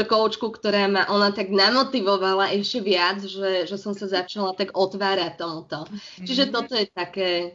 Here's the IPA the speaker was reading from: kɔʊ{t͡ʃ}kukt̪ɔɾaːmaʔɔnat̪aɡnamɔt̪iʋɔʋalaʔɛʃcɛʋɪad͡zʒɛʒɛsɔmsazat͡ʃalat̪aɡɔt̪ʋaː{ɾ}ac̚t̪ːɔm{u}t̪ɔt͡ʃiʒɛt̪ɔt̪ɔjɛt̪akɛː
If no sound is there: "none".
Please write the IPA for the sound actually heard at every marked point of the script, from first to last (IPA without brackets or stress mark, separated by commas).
t͡ʃ, ɾ, u